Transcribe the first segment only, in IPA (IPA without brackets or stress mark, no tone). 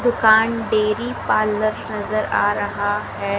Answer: d̪